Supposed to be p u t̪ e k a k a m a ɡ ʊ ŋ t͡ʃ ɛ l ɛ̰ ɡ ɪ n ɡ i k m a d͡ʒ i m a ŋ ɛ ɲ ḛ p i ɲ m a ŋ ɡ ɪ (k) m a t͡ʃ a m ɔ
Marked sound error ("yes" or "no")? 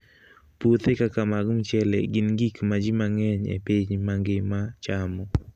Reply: yes